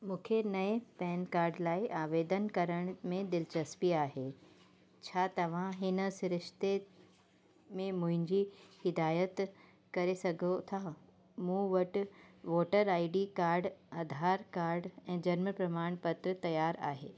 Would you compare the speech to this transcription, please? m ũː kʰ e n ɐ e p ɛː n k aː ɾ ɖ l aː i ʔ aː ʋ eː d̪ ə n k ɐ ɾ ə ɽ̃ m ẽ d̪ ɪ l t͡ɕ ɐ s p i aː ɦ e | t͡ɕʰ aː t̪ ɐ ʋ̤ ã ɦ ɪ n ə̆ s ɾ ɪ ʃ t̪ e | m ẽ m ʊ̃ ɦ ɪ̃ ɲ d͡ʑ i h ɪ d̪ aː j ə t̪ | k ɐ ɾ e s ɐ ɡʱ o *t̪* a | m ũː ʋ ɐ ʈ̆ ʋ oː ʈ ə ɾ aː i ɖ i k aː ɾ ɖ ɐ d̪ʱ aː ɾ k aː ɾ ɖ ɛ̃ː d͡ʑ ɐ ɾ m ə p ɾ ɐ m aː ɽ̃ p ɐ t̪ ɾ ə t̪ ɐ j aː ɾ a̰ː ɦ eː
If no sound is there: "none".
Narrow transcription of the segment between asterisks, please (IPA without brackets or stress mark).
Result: t̪ʰ